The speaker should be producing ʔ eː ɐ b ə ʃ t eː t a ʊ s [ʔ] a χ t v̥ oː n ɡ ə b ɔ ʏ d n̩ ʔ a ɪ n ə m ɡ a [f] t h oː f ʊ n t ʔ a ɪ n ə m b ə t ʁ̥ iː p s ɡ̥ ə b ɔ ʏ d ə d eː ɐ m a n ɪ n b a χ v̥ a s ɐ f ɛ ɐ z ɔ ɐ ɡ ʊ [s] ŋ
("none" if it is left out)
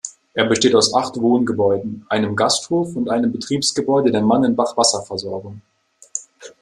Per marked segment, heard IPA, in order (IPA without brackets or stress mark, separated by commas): ʔ, s, none